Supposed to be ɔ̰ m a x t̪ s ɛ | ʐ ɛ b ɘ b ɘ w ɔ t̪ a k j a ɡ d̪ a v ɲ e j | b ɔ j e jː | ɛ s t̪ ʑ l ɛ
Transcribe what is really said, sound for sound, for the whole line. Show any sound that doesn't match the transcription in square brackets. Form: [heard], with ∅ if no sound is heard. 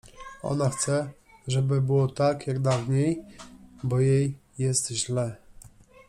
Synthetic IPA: ɔ̰ [n] a x t̪ s ɛ | ʐ ɛ b ɘ b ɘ w ɔ t̪ a k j a ɡ d̪ a v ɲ e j | b ɔ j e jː | ɛ s t̪ ʑ l ɛ